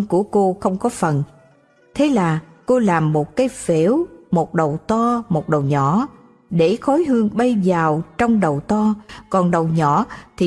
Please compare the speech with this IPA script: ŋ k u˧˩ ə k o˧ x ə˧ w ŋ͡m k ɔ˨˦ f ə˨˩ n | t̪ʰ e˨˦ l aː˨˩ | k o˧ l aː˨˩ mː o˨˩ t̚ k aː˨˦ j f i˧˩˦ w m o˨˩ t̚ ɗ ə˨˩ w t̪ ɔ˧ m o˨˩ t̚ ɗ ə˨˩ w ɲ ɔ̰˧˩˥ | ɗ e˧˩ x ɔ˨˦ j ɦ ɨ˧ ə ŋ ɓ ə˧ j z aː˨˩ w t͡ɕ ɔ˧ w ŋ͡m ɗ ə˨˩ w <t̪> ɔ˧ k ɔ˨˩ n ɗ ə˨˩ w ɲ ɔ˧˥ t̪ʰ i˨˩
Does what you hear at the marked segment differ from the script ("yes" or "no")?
no